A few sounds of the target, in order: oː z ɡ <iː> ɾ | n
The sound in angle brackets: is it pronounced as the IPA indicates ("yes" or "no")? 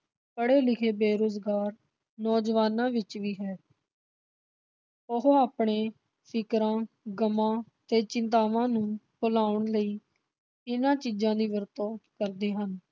no